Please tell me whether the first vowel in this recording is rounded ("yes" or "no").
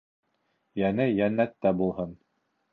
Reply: no